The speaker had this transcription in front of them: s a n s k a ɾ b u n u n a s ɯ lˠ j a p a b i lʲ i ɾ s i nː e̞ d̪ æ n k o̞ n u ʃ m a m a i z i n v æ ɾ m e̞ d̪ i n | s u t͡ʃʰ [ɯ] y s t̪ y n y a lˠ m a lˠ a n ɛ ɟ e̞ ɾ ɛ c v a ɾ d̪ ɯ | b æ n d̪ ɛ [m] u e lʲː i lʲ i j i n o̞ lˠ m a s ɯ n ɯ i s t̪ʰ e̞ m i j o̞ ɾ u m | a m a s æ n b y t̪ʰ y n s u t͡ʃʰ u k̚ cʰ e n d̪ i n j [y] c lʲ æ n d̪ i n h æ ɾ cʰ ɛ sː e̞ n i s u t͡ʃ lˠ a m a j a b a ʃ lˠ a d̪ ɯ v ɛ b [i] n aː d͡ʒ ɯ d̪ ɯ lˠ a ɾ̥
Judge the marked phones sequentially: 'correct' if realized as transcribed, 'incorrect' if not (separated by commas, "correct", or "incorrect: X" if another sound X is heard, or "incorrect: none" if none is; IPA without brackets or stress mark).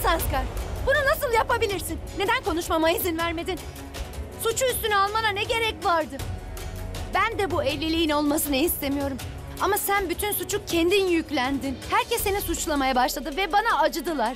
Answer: incorrect: u, incorrect: b, correct, incorrect: a